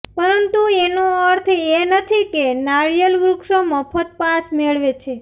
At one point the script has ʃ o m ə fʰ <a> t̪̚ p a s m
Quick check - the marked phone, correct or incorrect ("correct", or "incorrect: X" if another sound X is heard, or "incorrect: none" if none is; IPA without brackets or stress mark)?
incorrect: ə